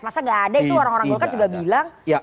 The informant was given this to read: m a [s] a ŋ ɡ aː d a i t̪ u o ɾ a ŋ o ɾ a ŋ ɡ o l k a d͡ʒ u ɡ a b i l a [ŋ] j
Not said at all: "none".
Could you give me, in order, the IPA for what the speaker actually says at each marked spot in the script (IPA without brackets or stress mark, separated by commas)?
s, ŋ